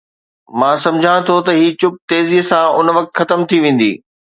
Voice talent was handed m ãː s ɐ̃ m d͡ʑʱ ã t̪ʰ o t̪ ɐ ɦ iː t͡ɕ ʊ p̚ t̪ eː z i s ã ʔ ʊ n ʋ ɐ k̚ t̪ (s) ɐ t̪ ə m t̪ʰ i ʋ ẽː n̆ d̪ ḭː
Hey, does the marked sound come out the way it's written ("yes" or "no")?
no